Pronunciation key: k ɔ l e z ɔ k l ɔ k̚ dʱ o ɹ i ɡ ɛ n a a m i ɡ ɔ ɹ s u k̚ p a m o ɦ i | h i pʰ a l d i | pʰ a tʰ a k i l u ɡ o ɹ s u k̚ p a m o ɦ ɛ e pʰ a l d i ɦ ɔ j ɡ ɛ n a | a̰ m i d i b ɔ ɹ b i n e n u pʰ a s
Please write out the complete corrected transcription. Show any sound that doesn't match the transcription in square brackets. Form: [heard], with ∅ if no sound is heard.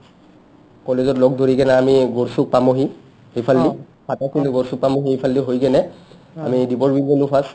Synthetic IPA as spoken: k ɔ l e z ɔ [t] l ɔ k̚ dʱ o ɹ i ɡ ɛ n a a m i ɡ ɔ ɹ s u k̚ p a m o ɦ i | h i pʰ a l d i | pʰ a [t] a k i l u ɡ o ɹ s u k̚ p a m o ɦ [i] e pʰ a l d i ɦ [o] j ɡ ɛ n [ɛ] | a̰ m i d i b ɔ ɹ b i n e n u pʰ a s